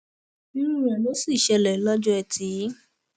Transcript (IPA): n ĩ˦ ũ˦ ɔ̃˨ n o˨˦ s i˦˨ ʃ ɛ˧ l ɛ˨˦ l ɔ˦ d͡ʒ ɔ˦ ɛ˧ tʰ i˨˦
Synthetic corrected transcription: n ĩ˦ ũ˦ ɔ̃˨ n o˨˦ s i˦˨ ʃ ɛ˧ l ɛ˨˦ l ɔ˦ d͡ʒ ɔ˦ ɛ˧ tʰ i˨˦

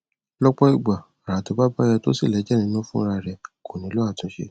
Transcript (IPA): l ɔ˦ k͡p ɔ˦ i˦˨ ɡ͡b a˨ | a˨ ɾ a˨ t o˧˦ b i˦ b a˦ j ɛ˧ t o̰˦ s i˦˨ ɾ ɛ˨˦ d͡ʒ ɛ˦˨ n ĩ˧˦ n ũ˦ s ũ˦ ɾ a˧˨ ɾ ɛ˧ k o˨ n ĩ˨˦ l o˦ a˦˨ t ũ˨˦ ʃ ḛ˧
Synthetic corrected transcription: l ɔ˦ k͡p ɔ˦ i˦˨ ɡ͡b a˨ | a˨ ɾ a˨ t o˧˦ b a˦ b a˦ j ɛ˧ t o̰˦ s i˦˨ l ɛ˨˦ d͡ʒ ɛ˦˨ n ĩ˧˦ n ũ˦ f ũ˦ ɾ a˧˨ ɾ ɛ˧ k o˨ n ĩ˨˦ l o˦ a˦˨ t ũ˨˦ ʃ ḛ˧

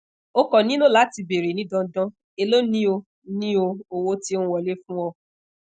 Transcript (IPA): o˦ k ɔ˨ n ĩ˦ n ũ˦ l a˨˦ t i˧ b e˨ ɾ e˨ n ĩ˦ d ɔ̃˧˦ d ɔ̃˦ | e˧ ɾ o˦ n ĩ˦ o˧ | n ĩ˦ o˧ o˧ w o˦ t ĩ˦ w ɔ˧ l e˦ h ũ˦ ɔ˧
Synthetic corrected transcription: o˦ k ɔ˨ n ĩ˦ n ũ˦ l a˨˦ t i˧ b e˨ ɾ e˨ n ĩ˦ d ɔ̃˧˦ d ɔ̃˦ | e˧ l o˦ n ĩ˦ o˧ | n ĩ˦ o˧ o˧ w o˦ t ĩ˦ w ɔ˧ l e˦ f ũ˦ ɔ˧

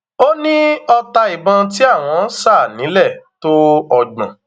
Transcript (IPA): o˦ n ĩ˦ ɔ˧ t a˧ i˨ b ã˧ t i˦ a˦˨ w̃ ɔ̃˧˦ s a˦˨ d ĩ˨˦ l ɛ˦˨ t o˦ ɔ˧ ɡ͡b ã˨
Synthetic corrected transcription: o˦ n ĩ˦ ɔ˧ t a˧ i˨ b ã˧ t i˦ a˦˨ w̃ ɔ̃˧˦ s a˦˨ n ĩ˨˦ l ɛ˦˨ t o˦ ɔ˧ ɡ͡b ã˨

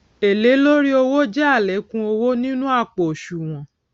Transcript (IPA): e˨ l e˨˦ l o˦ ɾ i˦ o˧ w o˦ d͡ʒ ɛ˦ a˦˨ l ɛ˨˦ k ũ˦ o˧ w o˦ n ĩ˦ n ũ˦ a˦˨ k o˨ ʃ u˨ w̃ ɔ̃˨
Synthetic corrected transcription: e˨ l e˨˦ l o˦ ɾ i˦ o˧ w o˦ d͡ʒ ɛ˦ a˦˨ l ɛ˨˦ k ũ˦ o˧ w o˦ n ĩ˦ n ũ˦ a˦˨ k͡p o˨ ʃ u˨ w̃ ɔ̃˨

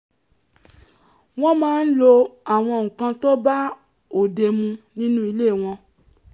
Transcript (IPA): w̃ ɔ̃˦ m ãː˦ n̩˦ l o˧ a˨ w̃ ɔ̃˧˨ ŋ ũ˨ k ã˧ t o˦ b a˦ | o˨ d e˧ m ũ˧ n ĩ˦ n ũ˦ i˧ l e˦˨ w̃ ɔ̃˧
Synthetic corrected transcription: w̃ ɔ̃˦ m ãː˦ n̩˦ l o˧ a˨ w̃ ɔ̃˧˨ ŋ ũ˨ k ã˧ t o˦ b a˦ | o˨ d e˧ m ũ˧ n ĩ˦ n ũ˦ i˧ l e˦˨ w̃ ɔ̃˧

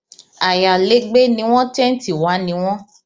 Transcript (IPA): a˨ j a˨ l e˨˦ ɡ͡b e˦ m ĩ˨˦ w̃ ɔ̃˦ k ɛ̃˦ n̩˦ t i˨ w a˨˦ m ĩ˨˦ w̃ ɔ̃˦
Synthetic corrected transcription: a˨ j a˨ l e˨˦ ɡ͡b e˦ n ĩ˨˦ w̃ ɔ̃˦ t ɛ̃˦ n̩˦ t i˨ w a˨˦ n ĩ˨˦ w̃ ɔ̃˦

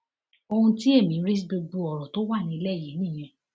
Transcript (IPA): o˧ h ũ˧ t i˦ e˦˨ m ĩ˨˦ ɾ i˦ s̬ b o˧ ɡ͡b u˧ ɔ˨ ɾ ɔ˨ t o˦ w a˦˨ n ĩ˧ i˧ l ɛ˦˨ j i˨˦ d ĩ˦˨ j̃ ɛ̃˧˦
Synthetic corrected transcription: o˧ h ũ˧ t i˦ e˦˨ m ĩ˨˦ ɾ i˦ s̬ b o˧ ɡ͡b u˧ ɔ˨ ɾ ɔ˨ t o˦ w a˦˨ n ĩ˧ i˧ l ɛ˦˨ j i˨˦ n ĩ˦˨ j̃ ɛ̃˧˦

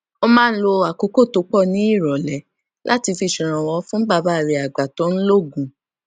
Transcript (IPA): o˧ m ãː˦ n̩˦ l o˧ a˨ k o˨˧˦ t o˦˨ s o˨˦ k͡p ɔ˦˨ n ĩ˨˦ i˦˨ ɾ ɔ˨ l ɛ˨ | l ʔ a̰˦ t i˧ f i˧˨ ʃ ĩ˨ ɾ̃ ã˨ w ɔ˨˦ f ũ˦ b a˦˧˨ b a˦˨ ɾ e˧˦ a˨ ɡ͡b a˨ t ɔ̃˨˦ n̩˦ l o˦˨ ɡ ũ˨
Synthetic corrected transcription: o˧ m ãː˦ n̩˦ l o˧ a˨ k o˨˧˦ k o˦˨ t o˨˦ k͡p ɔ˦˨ n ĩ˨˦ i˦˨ ɾ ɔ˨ l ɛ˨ | l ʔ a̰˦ t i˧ f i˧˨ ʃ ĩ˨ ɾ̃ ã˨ w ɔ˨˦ f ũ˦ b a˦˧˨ b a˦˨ ɾ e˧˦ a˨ ɡ͡b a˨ t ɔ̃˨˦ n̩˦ l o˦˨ ɡ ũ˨

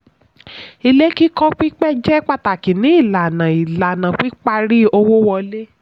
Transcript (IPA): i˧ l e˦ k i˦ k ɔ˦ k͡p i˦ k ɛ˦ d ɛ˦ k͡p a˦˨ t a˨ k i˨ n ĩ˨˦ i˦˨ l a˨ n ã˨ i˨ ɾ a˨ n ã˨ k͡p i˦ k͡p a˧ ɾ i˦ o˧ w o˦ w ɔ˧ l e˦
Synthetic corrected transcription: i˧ l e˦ k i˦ k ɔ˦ k͡p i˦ k͡p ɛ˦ d͡ʒ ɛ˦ k͡p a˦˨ t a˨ k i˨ n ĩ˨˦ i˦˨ l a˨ n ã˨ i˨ l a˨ n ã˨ k͡p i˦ k͡p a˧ ɾ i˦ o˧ w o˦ w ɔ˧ l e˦

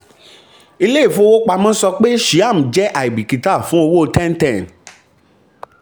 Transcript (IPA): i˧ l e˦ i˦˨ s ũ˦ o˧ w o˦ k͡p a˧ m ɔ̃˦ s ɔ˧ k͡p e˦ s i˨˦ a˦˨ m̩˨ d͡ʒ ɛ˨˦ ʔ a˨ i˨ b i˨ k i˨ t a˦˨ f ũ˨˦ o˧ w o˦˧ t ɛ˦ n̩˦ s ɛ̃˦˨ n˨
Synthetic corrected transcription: i˧ l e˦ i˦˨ f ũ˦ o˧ w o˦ k͡p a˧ m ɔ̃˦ s ɔ˧ k͡p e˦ ʃ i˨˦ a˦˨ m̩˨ d͡ʒ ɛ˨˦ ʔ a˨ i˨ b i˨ k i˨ t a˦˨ f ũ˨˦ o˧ w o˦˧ t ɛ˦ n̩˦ t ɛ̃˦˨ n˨

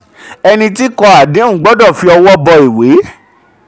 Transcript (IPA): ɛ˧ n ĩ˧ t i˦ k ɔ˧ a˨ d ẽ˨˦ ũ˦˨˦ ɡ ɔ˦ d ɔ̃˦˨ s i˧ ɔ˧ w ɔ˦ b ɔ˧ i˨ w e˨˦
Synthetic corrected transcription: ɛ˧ n ĩ˧ t i˦ k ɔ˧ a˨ d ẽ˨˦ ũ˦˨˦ ɡ͡b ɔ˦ d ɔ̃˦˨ f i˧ ɔ˧ w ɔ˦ b ɔ˧ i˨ w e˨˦

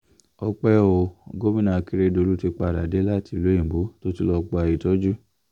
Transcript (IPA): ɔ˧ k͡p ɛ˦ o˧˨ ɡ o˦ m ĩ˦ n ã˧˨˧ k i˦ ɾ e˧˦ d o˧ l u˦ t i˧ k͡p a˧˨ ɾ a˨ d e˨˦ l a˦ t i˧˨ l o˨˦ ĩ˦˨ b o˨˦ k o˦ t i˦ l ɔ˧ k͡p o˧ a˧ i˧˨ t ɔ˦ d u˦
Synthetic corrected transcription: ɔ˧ k͡p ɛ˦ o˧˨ ɡ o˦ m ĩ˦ n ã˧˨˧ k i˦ ɾ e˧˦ d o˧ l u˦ t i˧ k͡p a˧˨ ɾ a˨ d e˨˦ l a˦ t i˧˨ l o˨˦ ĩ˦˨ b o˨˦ t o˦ t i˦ l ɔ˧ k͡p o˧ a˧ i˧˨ t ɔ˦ d͡ʒ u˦

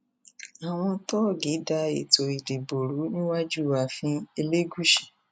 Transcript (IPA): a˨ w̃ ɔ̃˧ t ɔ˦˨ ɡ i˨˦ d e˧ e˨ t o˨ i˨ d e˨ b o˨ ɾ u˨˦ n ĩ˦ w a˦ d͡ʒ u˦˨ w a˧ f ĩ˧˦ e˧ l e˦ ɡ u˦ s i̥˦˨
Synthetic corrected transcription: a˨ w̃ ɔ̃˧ t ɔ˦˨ ɡ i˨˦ d a˧ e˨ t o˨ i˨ d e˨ b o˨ ɾ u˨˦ n ĩ˦ w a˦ d͡ʒ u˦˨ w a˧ f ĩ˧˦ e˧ l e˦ ɡ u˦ ʃ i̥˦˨

